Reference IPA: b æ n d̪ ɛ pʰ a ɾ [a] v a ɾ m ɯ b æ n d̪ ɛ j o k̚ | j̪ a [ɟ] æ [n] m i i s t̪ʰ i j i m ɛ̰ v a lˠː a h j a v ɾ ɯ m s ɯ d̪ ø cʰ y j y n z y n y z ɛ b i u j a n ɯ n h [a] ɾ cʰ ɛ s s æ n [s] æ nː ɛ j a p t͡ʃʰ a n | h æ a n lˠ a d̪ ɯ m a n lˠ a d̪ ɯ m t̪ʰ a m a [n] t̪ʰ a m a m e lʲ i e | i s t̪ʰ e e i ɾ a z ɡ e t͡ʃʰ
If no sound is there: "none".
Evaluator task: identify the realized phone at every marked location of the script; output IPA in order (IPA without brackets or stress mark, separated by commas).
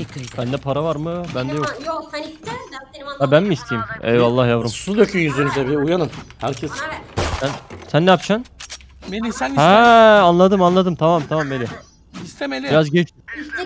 a, b, n, æ, s, m